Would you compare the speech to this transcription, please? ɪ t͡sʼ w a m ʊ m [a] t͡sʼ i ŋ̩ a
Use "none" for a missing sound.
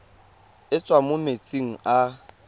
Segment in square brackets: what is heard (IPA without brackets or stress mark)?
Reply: e